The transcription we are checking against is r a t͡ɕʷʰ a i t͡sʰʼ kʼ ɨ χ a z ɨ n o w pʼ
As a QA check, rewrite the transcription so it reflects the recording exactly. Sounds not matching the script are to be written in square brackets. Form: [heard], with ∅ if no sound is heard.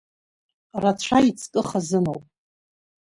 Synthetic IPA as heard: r a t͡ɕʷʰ a i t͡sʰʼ kʼ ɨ χ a z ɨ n o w pʼ